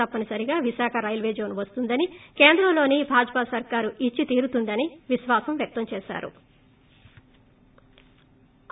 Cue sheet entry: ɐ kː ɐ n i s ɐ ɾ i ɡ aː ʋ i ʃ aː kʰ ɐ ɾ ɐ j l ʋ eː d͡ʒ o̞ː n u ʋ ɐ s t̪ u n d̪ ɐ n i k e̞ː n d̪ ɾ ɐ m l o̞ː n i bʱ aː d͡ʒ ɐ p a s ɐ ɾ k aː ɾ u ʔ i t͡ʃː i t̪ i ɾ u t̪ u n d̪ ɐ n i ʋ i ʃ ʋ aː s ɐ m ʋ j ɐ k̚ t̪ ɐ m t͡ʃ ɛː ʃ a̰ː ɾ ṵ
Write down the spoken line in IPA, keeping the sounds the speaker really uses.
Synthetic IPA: ɐ pː ɐ n i s ɐ ɾ i ɡ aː ʋ i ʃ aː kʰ ɐ ɾ ɐ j l ʋ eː d͡ʒ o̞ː n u ʋ ɐ s t̪ u n d̪ ɐ n i k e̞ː n d̪ ɾ ɐ m l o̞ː n i bʱ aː d͡ʒ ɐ p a s ɐ ɾ k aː ɾ u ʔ i t͡ʃː i t̪ iː ɾ u t̪ u n d̪ ɐ n i ʋ i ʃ ʋ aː s ɐ m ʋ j ɐ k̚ t̪ ɐ m t͡ʃ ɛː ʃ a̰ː ɾ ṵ

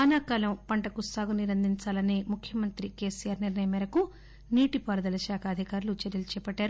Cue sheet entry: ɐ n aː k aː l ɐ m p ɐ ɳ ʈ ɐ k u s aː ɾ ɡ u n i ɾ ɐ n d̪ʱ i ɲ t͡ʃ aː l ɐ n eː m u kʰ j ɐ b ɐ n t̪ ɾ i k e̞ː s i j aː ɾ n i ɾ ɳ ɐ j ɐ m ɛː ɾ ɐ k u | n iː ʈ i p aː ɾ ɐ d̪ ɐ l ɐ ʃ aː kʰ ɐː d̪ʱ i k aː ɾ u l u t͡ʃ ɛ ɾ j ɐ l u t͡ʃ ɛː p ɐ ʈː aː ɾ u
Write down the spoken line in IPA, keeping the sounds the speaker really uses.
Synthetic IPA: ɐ n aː k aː l ɐ m p ɐ ɳ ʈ ɐ k u s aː ɡ u n i ɾ ɐ n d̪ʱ i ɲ t͡ʃ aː l ɐ n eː m u kʰ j ɐ m ɐ n t̪ ɾ i k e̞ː s i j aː ɾ n i ɾ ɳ ɐ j ɐ m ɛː ɾ ɐ k u | n iː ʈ i p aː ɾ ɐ d̪ ɐ l ɐ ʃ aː kʰ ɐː d̪ʱ i k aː ɾ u l u t͡ʃ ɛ ɾ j ɐ l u t͡ʃ ɛː p ɐ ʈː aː ɾ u

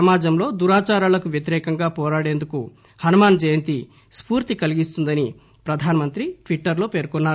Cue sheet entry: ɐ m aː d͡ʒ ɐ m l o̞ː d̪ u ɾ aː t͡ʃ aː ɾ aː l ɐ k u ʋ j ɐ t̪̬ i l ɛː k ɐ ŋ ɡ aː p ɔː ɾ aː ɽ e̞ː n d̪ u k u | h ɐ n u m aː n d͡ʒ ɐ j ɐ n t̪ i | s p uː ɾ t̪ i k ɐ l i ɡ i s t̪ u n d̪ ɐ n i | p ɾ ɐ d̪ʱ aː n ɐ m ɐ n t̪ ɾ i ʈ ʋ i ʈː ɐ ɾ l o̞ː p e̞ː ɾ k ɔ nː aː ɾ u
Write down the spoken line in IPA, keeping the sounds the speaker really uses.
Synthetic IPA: ɐ m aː d͡ʒ ɐ m l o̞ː d̪ u ɾ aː t͡ʃ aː ɾ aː l ɐ k u ʋ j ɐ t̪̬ i ɾ ɛː k ɐ ŋ ɡ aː p ɔː ɾ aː ɽ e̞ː n d̪ u k u | h ɐ n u m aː n d͡ʒ ɐ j ɐ n t̪ i | s p uː ɾ t̪ i k ɐ l i ɡ i s t̪ u n d̪ ɐ n i | p ɾ ɐ d̪ʱ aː n ɐ m ɐ n t̪ ɾ i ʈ ʋ i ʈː ɐ ɾ l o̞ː p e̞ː ɾ k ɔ nː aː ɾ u

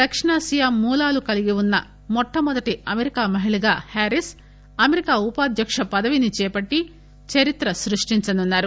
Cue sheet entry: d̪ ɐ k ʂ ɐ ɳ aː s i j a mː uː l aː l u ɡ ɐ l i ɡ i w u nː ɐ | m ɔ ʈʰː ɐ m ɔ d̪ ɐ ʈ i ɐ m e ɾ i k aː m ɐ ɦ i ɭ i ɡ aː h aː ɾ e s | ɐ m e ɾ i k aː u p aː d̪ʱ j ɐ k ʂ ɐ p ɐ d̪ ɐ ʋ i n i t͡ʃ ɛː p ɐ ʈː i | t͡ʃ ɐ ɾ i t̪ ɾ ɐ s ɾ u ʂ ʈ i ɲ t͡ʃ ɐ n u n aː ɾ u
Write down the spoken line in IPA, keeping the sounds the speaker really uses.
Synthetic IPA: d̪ ɐ k ʂ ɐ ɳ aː s i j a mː uː l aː l u k ɐ l i ɡ i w u nː ɐ | m ɔ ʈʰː ɐ m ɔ d̪ ɐ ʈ i ɐ m e ɾ i k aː m ɐ ɦ i ɭ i ɡ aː h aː ɾ i s | ɐ m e ɾ i k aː u p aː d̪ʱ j ɐ k ʂ ɐ p ɐ d̪ ɐ ʋ i n i t͡ʃ ɛː p ɐ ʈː i | t͡ʃ ɐ ɾ i t̪ ɾ ɐ s ɾ u ʂ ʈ i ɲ t͡ʃ ɐ n u nː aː ɾ u

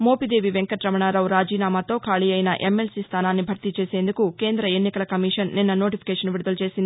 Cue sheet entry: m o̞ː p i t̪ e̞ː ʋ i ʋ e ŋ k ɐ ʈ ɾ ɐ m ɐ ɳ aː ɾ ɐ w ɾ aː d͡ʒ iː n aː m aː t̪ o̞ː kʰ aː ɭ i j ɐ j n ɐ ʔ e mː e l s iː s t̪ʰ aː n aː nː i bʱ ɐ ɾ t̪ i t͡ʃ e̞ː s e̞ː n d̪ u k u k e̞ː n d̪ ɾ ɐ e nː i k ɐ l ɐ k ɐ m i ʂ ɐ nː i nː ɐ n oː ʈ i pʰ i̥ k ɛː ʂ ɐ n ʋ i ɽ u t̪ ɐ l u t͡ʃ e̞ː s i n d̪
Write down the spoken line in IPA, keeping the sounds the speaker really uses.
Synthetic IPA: m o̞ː p i d̪ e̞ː ʋ i ʋ e ŋ k ɐ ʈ ɾ ɐ m ɐ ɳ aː ɾ ɐ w ɾ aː d͡ʒ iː n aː m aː t̪ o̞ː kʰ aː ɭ i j ɐ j n ɐ ʔ e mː e l s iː s t̪ʰ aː n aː nː i bʱ ɐ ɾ t̪ i t͡ʃ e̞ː s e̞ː n d̪ u k u k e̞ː n d̪ ɾ ɐ e nː i k ɐ l ɐ k ɐ m i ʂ ɐ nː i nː ɐ n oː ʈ i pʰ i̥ k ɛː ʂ ɐ n ʋ i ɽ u d̪ ɐ l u t͡ʃ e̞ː s i n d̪

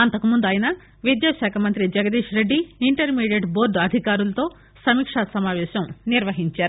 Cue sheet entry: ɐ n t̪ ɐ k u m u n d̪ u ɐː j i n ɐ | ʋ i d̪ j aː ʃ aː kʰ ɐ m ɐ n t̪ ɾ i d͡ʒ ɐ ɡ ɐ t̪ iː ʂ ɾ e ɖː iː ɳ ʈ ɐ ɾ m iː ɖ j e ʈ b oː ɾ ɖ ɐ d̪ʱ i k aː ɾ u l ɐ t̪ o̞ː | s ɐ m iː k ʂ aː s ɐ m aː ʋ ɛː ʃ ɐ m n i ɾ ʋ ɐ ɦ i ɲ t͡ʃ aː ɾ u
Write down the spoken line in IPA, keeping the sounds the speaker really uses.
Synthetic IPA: ɐ n t̪ ɐ k u m u n d̪ u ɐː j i n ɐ | ʋ i d̪ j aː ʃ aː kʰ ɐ m ɐ n t̪ ɾ i d͡ʒ ɐ ɡ ɐ d̪ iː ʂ ɾ e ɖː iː ɳ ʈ ɐ ɾ m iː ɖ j e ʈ b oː ɾ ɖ ɐ d̪ʱ i k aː ɾ u l ɐ t̪ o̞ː | s ɐ m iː k ʂ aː s ɐ m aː ʋ ɛː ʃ ɐ m n i ɾ ʋ ɐ ɦ i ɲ t͡ʃ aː ɾ u

